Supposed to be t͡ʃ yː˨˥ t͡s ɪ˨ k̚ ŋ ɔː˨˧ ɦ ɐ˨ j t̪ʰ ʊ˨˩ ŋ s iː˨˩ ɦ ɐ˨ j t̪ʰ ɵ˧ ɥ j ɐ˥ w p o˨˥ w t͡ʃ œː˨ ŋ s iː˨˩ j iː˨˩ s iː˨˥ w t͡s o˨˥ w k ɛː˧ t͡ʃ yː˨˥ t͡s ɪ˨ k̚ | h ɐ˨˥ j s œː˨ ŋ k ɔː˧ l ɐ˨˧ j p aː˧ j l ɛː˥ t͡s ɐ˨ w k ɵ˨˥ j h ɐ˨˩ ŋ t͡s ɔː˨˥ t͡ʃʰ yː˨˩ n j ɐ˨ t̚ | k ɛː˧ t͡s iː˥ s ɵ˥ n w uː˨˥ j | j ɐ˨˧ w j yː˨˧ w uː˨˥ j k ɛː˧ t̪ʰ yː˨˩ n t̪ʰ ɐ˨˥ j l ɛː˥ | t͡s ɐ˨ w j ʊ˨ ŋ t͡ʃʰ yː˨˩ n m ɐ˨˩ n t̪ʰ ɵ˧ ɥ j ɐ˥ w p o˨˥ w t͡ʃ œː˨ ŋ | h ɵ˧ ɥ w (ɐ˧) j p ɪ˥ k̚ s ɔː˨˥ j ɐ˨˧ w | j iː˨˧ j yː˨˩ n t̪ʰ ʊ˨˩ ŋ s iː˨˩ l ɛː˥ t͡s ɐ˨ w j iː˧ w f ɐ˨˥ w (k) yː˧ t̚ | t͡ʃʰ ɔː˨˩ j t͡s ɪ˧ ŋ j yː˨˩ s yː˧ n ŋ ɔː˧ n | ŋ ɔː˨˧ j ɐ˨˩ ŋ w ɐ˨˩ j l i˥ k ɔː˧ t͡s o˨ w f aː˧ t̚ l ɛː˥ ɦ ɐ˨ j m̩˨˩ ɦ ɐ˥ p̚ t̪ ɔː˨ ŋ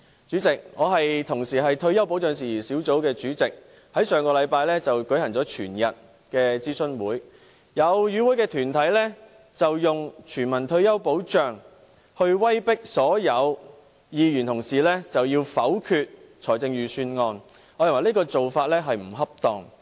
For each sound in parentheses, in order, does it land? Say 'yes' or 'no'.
no, no

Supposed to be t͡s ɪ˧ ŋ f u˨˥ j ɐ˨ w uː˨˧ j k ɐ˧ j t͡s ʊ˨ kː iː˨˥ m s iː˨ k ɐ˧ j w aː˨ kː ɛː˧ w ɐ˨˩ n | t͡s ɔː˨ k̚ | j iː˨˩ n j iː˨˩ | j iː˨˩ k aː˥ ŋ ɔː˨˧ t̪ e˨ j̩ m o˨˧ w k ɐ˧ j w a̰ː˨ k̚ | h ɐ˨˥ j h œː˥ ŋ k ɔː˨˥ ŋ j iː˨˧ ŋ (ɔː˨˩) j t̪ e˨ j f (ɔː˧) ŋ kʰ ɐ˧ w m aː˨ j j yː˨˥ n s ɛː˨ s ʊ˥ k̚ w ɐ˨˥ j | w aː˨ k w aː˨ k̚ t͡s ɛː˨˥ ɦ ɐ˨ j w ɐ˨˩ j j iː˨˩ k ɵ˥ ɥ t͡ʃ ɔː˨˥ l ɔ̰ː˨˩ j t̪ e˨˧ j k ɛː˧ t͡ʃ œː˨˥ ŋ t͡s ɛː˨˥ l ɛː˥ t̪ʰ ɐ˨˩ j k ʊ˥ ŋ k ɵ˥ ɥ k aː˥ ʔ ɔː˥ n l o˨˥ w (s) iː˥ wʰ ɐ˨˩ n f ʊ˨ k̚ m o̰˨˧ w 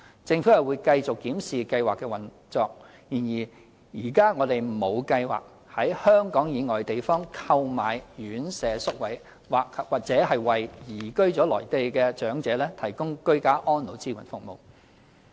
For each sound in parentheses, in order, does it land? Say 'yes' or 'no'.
yes, no, no

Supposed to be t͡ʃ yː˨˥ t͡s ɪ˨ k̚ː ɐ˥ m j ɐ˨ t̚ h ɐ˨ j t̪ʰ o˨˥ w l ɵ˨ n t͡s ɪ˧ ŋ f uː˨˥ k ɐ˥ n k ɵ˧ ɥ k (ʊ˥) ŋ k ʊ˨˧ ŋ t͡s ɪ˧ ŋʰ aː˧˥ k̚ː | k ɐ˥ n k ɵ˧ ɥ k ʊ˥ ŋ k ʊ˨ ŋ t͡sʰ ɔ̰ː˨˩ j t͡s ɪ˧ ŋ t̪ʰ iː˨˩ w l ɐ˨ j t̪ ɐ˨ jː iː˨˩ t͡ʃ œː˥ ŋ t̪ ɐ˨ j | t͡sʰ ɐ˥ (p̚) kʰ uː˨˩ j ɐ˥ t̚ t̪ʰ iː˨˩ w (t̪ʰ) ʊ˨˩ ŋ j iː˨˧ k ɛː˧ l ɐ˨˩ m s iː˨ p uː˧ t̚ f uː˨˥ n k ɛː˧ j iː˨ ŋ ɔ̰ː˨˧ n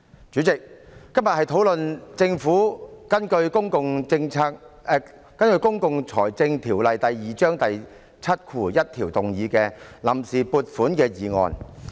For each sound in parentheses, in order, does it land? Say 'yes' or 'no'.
yes, no, no

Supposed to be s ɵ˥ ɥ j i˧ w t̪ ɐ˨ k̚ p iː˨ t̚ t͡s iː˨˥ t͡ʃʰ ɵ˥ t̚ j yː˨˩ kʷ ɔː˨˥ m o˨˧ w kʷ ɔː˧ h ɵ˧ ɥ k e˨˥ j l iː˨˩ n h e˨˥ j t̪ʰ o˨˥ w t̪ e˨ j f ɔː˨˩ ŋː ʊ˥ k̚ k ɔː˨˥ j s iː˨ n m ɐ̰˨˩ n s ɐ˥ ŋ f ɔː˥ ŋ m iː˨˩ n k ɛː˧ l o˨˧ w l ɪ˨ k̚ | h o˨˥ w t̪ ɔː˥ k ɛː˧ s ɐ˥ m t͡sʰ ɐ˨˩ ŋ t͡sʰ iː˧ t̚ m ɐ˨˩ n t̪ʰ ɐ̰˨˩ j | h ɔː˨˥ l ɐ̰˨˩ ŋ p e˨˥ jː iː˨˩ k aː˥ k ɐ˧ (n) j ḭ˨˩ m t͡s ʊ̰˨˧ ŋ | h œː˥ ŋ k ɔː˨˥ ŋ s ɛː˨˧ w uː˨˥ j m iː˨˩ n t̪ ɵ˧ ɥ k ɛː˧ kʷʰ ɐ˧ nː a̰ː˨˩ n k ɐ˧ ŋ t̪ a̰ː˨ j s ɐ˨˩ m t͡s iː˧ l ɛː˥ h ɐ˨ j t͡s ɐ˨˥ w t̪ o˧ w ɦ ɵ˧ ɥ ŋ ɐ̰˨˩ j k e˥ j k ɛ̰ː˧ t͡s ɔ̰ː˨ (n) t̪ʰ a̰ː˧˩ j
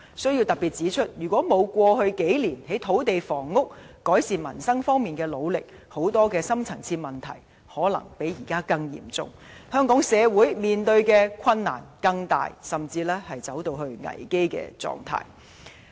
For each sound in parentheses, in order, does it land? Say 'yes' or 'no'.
no, no

